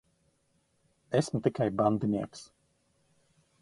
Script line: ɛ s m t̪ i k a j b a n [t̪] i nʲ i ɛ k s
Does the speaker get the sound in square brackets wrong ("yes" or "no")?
yes